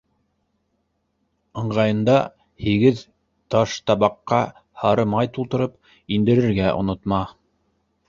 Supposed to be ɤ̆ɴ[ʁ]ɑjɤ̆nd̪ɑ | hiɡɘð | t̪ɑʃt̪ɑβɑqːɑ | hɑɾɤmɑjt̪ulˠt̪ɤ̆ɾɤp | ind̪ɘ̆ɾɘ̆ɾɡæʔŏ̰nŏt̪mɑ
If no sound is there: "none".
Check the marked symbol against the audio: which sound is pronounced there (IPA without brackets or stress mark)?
ʁ